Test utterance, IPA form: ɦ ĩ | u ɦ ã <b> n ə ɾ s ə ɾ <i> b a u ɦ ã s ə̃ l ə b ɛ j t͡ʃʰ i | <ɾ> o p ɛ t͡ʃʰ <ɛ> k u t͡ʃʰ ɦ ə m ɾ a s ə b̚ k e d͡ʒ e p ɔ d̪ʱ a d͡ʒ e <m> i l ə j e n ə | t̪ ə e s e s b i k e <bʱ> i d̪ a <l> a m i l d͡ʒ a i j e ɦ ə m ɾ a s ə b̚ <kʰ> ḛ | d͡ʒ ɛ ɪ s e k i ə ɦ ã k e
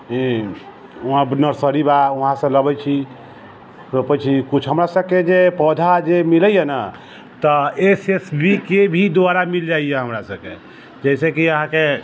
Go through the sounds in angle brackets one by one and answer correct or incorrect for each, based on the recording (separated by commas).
correct, correct, correct, incorrect, correct, correct, incorrect, incorrect